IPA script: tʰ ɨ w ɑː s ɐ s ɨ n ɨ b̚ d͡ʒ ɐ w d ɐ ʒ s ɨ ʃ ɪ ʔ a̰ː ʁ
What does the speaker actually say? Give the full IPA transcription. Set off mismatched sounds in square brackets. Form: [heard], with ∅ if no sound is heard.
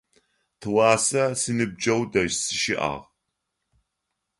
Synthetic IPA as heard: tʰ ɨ w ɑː s ɐ s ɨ n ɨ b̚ d͡ʒ ɐ w d ɐ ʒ s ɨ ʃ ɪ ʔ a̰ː ʁ

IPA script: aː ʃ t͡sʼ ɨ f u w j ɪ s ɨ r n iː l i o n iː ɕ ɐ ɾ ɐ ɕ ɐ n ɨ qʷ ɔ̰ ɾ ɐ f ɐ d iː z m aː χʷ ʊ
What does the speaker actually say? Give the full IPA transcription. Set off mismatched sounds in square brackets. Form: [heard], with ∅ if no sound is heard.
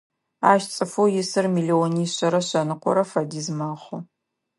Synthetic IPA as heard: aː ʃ t͡sʼ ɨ f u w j ɪ s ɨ r [m] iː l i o n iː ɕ ɐ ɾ ɐ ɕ ɐ n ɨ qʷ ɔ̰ ɾ ɐ f ɐ d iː z m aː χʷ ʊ

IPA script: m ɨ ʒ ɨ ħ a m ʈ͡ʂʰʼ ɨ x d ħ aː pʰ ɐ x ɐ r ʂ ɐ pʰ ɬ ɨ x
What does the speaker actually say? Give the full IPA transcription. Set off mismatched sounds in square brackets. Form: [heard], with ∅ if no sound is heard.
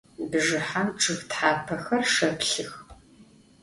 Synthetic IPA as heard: [b] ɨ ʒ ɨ ħ a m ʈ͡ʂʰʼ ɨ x [t] ħ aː pʰ ɐ x ɐ r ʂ ɐ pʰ ɬ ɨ x

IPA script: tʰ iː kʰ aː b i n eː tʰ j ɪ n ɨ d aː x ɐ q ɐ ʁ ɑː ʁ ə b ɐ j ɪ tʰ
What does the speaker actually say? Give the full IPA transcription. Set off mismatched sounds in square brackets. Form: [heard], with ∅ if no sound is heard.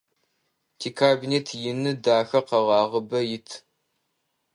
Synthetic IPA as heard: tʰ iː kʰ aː b i n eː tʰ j ɪ n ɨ d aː x ɐ q ɐ ʁ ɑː ʁ ə b ɐ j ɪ tʰ

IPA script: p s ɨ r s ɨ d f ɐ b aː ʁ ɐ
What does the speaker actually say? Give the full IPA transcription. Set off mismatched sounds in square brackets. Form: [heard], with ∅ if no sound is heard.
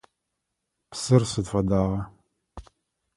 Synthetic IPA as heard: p s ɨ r s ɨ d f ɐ [d] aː ʁ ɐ

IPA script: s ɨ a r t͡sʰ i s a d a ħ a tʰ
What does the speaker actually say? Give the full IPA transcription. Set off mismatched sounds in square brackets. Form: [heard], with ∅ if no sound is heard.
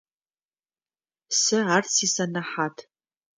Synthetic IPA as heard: s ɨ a r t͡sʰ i s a [n] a ħ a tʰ

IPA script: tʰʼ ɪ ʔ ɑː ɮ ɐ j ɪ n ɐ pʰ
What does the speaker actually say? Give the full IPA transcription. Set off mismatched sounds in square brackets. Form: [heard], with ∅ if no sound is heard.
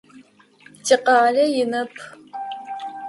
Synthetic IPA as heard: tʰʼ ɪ [q] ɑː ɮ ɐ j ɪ n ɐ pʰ

